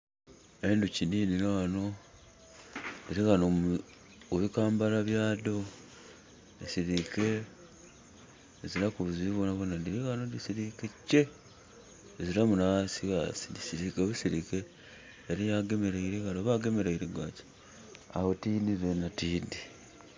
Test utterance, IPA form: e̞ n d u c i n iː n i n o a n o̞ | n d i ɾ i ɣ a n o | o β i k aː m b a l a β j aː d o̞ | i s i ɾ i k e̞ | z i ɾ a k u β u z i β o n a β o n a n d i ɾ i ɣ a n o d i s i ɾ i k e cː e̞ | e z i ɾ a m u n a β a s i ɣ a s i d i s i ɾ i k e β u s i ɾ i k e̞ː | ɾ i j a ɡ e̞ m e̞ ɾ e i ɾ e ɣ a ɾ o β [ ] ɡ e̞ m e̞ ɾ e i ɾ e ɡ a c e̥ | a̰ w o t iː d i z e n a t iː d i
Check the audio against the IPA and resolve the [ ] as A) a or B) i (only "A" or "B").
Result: A